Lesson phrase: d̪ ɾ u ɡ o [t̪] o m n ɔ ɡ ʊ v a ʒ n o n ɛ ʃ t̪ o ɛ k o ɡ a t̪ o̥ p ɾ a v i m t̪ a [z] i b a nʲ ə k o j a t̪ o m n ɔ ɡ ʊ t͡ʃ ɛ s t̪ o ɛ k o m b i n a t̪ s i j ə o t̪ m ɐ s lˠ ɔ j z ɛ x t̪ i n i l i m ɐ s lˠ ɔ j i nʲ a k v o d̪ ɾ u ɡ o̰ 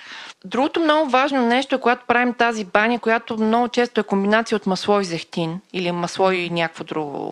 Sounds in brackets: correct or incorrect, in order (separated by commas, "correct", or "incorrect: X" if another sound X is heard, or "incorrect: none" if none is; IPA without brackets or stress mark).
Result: correct, correct